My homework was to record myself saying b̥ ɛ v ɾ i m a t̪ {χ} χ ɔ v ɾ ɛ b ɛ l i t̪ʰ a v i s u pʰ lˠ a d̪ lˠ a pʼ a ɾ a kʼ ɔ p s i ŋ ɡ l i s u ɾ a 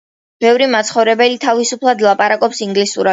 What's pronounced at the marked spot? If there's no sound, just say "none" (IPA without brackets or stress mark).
s